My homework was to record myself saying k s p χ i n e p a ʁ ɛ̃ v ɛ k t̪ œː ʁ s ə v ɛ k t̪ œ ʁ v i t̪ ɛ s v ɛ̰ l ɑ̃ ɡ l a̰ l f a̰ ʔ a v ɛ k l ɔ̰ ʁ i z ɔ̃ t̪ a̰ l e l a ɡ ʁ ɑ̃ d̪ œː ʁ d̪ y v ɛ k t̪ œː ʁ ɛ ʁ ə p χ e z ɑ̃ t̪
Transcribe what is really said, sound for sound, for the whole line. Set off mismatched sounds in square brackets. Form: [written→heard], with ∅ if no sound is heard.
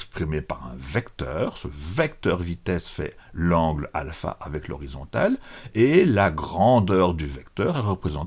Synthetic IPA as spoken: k s p χ i [n→m] e p a ʁ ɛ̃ v ɛ k t̪ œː ʁ s ə v ɛ k t̪ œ ʁ v i t̪ ɛ s [v→f] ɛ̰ l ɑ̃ ɡ l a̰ l f a̰ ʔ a v ɛ k l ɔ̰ ʁ i z ɔ̃ t̪ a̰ l e l a ɡ ʁ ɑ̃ d̪ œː ʁ d̪ y v ɛ k t̪ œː ʁ ɛ ʁ ə p χ e z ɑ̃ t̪